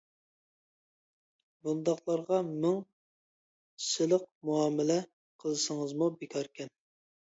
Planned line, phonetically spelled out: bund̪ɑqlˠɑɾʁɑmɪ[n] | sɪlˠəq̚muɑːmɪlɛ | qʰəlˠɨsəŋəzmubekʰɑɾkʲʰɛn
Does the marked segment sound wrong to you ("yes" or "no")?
yes